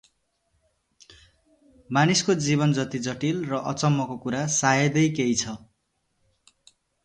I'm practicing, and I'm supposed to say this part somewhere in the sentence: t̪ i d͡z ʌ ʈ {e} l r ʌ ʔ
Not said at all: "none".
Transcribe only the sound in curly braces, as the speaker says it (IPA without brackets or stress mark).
i